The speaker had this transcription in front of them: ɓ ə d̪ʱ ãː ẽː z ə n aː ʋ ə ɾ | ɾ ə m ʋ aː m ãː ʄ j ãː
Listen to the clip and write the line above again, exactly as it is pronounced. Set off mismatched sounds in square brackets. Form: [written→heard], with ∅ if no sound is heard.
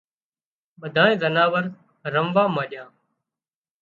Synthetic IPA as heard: ɓ ə d̪ʱ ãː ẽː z ə n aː ʋ ə ɾ | ɾ ə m ʋ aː m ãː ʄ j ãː